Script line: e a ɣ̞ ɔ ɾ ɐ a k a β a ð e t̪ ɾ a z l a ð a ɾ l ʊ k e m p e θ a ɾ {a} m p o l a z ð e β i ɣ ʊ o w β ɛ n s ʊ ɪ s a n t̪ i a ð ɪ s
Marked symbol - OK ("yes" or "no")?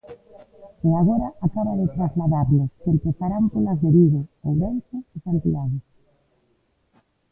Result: yes